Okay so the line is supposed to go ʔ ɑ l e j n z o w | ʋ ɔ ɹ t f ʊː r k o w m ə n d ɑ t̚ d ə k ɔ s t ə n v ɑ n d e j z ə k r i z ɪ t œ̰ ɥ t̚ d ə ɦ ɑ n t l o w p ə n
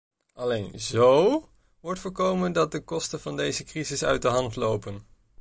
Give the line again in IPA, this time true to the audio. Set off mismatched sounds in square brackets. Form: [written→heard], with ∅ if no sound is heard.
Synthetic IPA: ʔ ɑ l e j n z o w | ʋ ɔ ɹ t f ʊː [r→ɹ] k o w m ə n d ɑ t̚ d ə k ɔ s t ə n v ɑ n d e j z ə k r i z ɪ [t→s] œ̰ ɥ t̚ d ə ɦ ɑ n t l o w p ə n